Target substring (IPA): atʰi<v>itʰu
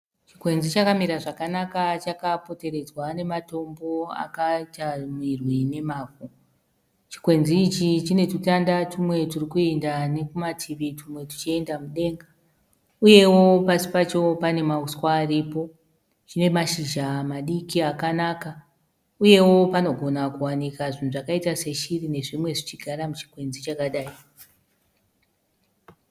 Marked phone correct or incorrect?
incorrect: ʋ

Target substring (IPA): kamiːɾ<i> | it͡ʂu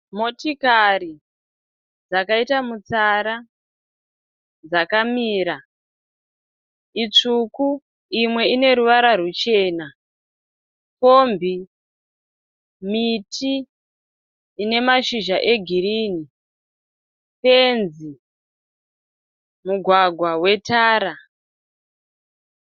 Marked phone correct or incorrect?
incorrect: a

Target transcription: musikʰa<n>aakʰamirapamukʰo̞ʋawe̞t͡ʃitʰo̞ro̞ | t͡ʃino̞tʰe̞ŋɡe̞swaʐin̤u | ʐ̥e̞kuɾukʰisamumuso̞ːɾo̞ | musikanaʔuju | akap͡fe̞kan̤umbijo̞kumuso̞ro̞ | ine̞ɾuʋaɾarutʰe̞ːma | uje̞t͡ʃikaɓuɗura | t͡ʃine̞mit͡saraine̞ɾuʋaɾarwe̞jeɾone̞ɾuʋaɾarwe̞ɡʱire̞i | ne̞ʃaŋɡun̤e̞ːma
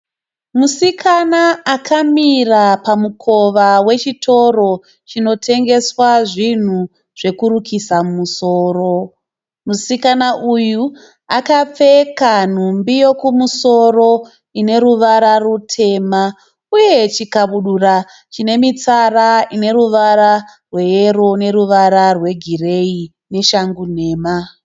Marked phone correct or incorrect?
correct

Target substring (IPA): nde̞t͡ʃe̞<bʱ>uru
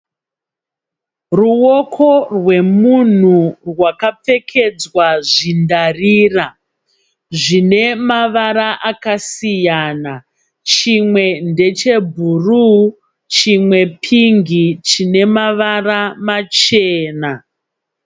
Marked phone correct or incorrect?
correct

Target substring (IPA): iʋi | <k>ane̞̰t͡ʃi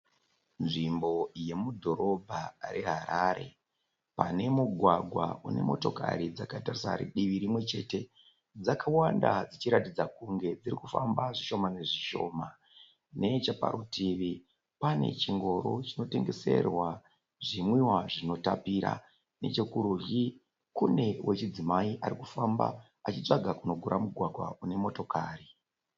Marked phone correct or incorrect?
incorrect: p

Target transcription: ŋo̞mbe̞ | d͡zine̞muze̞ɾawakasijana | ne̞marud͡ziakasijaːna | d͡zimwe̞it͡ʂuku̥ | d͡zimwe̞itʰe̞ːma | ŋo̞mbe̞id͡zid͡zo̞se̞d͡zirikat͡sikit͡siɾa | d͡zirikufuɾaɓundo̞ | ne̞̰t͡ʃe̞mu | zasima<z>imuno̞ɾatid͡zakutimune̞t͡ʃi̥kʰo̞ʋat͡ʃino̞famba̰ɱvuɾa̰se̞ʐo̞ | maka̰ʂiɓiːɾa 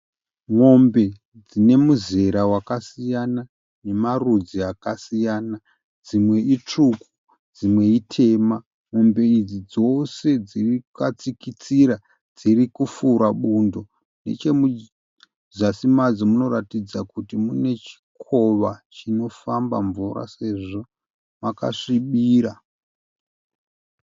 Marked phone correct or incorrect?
incorrect: d͡z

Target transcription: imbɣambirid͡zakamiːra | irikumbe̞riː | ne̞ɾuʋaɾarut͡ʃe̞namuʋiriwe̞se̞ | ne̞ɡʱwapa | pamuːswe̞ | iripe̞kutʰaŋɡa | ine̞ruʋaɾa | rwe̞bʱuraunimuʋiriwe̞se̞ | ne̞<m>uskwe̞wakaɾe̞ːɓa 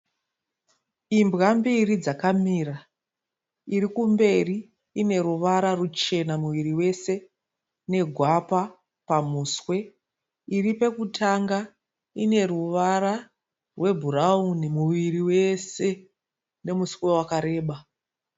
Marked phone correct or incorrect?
correct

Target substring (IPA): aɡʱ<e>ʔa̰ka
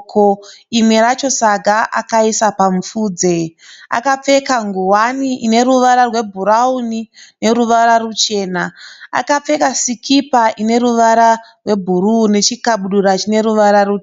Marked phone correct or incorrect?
incorrect: a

